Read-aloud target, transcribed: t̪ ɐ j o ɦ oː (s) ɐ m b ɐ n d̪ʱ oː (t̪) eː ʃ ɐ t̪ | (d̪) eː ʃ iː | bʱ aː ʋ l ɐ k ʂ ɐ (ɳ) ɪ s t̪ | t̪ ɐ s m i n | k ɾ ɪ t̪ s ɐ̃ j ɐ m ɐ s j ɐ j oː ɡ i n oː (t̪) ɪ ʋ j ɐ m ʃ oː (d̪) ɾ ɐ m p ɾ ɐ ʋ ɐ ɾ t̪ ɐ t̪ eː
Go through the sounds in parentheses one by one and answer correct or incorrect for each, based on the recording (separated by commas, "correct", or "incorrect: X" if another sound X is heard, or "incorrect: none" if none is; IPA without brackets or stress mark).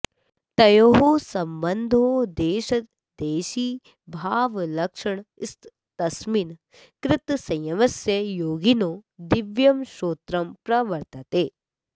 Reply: correct, incorrect: d̪, correct, correct, incorrect: d̪, incorrect: t̪